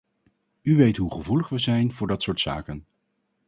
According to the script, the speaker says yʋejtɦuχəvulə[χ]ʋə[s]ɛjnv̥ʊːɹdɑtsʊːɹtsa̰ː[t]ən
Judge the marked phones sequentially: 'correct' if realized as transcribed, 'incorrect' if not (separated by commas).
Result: correct, incorrect, incorrect